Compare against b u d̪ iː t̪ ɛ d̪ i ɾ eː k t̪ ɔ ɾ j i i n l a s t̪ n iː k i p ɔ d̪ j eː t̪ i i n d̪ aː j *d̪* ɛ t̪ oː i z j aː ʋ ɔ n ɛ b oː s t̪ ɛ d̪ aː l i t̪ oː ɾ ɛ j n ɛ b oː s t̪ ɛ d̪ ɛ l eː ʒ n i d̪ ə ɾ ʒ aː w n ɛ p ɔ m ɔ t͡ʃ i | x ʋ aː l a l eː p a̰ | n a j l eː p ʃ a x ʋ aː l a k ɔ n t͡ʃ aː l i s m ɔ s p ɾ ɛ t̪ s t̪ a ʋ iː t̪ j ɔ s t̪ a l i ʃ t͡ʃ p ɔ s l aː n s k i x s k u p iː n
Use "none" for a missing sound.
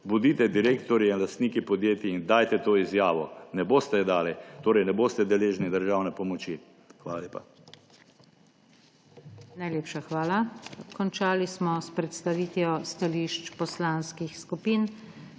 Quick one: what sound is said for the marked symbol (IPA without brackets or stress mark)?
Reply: t̪